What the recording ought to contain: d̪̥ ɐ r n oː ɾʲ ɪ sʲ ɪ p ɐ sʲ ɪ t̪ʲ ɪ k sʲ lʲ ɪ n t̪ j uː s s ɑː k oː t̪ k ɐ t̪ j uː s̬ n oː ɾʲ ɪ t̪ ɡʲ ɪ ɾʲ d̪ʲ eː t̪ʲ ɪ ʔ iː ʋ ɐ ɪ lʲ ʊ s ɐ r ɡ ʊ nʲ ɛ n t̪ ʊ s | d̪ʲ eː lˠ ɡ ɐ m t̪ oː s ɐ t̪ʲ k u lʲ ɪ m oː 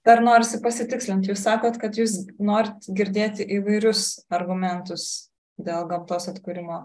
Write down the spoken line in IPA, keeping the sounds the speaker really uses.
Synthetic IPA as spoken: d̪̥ ɐ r n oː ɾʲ ɪ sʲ ɪ p ɐ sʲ ɪ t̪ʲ ɪ k sʲ lʲ ɪ n t̪ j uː s s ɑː k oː t̪ k ɐ t̪ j uː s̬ n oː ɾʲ ɪ t̪ ɡʲ ɪ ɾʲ d̪ʲ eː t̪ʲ ɪ ʔ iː ʋ ɐ ɪ ɾʲ ʊ s ɐ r ɡ ʊ mʲ ɛ n t̪ ʊ s | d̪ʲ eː lˠ ɡ ɐ m t̪ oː s ɐ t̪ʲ k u ɾʲ ɪ m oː